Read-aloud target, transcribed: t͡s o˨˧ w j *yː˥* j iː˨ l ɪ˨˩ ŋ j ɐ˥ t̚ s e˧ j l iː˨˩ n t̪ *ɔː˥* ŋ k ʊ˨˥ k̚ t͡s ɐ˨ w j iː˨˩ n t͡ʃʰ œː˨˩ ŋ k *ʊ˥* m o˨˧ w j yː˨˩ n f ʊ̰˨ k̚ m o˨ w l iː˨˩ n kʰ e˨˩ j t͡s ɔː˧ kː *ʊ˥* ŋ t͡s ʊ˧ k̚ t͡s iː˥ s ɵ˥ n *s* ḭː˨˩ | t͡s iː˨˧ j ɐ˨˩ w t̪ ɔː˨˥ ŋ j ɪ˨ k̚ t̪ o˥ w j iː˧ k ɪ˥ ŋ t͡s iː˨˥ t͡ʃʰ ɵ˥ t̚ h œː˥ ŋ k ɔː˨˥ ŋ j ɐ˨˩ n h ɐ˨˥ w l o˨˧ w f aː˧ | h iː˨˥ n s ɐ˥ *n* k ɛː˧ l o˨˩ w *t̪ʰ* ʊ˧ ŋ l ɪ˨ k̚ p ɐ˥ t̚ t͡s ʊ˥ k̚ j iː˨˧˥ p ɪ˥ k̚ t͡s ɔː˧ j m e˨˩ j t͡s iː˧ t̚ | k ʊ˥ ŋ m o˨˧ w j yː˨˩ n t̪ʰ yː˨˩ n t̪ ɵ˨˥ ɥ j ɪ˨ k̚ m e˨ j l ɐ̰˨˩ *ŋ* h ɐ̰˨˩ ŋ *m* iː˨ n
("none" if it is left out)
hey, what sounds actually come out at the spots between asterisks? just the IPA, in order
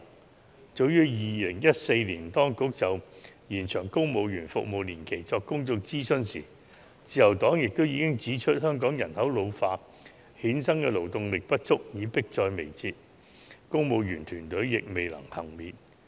yː˥, ɔː˥, ʊ˥, ʊ˥, s, ŋ, t̪, ŋ, m

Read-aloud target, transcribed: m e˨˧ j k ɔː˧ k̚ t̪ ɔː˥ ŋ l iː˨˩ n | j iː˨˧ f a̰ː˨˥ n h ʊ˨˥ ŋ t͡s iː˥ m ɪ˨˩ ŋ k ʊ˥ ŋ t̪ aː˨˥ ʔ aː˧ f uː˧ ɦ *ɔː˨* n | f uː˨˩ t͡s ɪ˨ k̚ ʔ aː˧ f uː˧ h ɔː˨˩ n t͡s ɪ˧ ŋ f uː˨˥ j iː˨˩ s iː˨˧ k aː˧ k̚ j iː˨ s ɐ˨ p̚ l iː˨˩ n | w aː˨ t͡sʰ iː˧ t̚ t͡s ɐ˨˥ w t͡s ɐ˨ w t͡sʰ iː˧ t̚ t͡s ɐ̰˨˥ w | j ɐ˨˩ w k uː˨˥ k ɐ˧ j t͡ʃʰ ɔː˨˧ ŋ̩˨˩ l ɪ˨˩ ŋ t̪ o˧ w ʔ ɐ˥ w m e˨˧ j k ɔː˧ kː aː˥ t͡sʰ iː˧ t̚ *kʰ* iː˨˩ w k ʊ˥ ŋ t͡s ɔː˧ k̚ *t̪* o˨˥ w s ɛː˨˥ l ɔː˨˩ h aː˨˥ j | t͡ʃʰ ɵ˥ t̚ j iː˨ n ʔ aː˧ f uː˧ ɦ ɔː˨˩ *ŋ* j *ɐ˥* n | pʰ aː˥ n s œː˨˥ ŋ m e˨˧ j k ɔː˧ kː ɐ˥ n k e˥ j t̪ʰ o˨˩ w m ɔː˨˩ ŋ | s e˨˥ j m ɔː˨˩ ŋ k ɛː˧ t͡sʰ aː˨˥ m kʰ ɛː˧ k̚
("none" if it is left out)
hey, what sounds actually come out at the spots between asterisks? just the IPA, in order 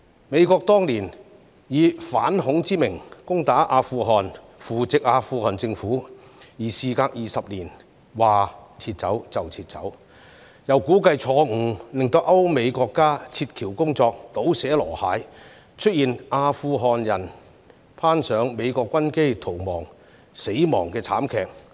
ɔː˨, kʰ, t̪, n, ɐ˨˩

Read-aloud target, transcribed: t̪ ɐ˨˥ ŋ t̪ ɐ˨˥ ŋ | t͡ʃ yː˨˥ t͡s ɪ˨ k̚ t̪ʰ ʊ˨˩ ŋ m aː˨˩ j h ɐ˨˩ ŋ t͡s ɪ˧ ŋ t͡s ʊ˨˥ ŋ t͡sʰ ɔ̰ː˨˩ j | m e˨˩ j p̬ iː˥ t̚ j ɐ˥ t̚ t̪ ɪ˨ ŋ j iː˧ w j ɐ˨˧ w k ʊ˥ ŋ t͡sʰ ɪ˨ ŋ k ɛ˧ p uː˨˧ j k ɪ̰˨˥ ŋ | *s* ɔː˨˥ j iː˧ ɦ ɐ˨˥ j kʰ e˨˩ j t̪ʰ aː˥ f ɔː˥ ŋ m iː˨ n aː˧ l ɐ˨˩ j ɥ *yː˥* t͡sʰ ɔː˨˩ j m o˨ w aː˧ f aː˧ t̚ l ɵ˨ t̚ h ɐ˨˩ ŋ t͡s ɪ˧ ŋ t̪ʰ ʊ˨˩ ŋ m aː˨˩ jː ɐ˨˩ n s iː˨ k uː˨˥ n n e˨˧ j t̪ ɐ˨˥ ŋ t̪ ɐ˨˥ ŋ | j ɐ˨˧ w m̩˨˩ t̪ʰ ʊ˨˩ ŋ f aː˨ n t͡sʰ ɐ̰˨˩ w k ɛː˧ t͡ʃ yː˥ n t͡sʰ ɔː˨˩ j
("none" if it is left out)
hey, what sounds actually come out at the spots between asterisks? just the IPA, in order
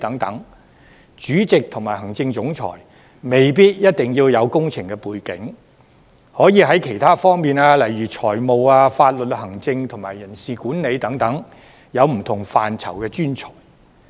h, yː˨˩

